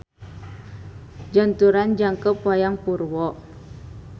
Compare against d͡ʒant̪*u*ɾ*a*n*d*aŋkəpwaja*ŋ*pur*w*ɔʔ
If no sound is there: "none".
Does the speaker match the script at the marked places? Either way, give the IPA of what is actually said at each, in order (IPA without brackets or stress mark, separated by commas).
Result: u, a, d͡ʒ, ŋ, w